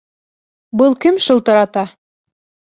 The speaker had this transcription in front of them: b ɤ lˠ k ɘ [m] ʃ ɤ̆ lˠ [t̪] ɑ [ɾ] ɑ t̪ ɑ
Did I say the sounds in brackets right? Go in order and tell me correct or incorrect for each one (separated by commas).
correct, correct, correct